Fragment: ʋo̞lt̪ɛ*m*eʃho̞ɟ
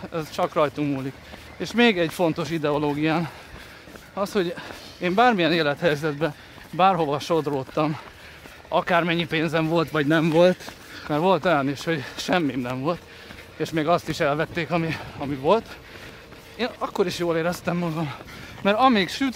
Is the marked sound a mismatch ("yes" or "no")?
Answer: yes